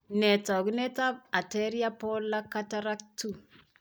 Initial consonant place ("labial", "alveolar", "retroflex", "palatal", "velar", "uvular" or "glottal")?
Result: alveolar